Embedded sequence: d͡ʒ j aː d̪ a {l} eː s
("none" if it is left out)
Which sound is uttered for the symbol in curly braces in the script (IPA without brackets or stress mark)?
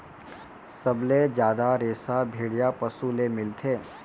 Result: ɾ